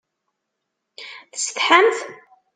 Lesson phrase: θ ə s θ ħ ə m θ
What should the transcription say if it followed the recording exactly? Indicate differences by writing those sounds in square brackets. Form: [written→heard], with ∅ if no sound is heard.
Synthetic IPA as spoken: θ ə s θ ħ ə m θ